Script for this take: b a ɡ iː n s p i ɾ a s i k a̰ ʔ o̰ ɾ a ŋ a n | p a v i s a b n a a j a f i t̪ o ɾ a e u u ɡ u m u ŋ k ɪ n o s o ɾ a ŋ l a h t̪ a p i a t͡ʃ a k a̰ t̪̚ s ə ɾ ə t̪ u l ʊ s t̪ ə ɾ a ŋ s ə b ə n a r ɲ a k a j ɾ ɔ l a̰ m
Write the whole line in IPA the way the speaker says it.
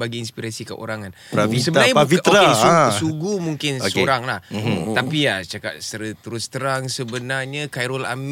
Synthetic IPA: b a ɡ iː n s p i ɾ a s i k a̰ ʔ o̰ ɾ a ŋ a n | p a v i s ə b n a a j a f i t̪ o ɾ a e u u ɡ u m u ŋ k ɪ n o s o ɾ a ŋ l a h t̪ a p i a t͡ʃ a k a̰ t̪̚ s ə ɾ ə t̪ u ɾ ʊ s t̪ ə ɾ a ŋ s ə b ə n a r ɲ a k a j ɾ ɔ l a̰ m